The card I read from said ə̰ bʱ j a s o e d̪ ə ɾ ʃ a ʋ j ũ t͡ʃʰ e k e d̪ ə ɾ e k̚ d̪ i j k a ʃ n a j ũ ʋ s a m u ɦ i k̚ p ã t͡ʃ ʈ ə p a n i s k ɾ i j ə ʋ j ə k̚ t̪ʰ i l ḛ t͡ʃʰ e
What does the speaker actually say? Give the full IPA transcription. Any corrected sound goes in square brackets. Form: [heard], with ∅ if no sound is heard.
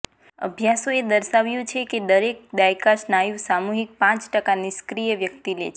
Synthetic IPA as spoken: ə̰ bʱ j a s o e d̪ ə ɾ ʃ a ʋ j ũ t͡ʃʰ e k e d̪ ə ɾ e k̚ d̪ [a] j k a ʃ n a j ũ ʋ s a m u ɦ i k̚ p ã t͡ʃ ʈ ə [k] a n i s k ɾ i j ə ʋ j ə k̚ [t̪] i l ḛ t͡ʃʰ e

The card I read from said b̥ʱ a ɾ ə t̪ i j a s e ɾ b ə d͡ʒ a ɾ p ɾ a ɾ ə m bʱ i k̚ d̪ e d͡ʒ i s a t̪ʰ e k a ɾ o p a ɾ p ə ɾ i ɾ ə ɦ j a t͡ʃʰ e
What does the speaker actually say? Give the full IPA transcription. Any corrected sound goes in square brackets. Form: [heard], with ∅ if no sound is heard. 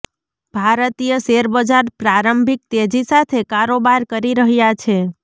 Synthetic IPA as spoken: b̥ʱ a ɾ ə t̪ i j [ə] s e ɾ b ə d͡ʒ a ɾ p ɾ a ɾ ə m bʱ i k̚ [t̪] e d͡ʒ i s a t̪ʰ e k a ɾ o [b] a ɾ [k] ə ɾ i ɾ ə ɦ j a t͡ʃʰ e

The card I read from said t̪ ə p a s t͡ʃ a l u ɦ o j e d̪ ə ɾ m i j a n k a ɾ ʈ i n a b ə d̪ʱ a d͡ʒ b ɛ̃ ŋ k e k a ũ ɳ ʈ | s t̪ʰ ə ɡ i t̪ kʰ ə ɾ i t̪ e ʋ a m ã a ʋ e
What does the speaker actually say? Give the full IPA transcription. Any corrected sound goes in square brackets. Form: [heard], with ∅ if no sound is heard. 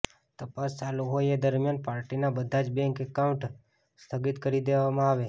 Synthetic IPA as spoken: t̪ ə p a s t͡ʃ a l u ɦ o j e d̪ ə ɾ m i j a n [p] a ɾ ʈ i n a b ə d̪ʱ a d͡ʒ b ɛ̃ ŋ k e k a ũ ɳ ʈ | s t̪ʰ ə ɡ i t̪ [k] ə ɾ i [d̪] e ʋ a m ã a ʋ e

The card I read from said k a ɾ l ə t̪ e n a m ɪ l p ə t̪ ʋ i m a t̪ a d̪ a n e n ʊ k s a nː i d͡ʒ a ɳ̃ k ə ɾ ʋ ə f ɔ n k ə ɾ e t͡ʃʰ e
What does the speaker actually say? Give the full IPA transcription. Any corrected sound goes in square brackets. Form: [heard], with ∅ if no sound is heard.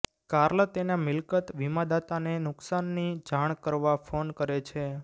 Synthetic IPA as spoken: k a ɾ l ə t̪ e n a m ɪ l [k] ə t̪ ʋ i m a [d̪] a [t̪] a n e n ʊ k s a nː i d͡ʒ a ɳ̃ k ə ɾ ʋ [a] f [o] n k ə ɾ e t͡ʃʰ e

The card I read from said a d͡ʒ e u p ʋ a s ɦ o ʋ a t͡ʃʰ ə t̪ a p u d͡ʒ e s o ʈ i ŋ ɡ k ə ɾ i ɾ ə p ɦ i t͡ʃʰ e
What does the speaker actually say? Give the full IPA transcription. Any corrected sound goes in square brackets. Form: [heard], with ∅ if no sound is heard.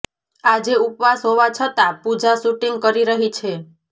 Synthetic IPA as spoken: a d͡ʒ e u p ʋ a s ɦ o ʋ a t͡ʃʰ ə t̪ a p u d͡ʒ [a] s [u] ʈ i ŋ ɡ k ə ɾ i ɾ ə [∅] ɦ i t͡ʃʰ e

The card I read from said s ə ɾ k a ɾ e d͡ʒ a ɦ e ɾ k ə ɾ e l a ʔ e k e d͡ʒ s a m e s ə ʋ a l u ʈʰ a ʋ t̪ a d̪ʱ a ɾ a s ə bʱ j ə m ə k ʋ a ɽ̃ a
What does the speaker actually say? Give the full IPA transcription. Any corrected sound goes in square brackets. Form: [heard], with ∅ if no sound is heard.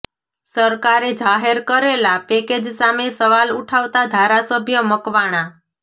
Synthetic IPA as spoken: s ə ɾ k a ɾ e d͡ʒ a ɦ e ɾ k ə ɾ e l a [p] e k e d͡ʒ s a m e s ə ʋ a l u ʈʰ a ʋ t̪ a d̪ʱ a ɾ a s ə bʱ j ə m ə k ʋ a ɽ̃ a

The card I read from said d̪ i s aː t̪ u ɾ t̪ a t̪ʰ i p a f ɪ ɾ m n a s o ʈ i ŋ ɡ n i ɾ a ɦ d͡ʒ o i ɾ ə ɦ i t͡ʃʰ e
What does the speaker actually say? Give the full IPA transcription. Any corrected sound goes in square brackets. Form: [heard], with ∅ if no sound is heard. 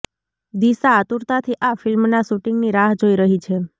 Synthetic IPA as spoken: d̪ i s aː t̪ u ɾ t̪ a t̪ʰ i [ʔ] a f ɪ [l] m n a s [u] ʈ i ŋ ɡ n i ɾ a ɦ d͡ʒ o i ɾ ə ɦ i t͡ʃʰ e

